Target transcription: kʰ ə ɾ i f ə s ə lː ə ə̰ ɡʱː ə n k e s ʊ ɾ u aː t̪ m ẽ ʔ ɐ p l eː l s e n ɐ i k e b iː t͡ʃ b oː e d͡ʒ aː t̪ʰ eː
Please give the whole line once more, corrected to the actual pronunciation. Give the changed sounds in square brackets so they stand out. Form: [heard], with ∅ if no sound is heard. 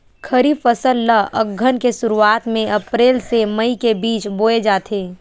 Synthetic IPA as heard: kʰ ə ɾ i f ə s ə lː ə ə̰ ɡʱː ə n k e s ʊ ɾ u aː t̪ m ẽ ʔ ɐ p [ɾ] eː l s e [m] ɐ i k e b iː t͡ʃ b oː e d͡ʒ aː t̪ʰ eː